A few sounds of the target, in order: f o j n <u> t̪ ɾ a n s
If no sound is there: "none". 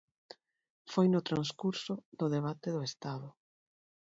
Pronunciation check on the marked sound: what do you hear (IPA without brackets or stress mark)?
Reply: ʊ